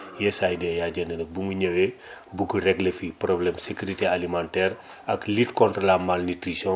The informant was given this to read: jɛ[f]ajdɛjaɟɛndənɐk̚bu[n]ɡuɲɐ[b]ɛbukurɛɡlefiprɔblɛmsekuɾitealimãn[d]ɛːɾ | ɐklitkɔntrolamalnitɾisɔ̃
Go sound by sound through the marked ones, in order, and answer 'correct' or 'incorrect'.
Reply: incorrect: s, incorrect: ŋ, incorrect: w, incorrect: t

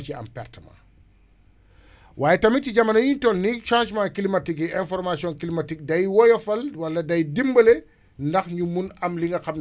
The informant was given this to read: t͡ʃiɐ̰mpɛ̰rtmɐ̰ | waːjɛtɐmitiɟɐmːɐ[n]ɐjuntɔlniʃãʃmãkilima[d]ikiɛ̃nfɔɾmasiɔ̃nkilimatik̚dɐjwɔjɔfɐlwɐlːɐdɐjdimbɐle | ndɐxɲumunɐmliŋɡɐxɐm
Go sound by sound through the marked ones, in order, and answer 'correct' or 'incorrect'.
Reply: correct, incorrect: t

